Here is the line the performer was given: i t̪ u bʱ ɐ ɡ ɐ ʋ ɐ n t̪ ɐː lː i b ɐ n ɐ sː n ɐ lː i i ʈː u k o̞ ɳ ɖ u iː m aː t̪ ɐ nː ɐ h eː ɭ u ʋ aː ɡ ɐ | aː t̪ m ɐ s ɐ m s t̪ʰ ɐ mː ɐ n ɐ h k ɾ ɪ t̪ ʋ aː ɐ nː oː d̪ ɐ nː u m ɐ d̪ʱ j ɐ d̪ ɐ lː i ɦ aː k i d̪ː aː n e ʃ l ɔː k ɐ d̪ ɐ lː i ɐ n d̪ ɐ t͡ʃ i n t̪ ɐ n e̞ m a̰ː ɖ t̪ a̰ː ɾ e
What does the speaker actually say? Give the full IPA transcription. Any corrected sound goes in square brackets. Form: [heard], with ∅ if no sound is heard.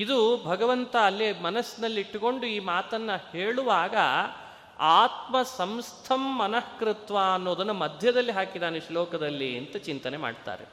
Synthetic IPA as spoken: i [d̪] u bʱ ɐ ɡ ɐ ʋ ɐ n t̪ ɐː lː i [m] ɐ n ɐ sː n ɐ lː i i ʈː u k o̞ ɳ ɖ u iː m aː t̪ ɐ nː ɐ h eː ɭ u ʋ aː ɡ ɐ | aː t̪ m ɐ s ɐ m s t̪ʰ ɐ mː ɐ n ɐ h k ɾ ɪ t̪ ʋ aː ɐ nː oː d̪ ɐ nː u m ɐ d̪ʱ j ɐ d̪ ɐ lː i ɦ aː k i [d̪] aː n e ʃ l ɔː k ɐ d̪ ɐ lː i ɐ n [t̪] ɐ t͡ʃ i n t̪ ɐ n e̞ m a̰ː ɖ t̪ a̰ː ɾ e